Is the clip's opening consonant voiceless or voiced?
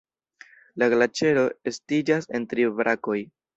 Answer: voiced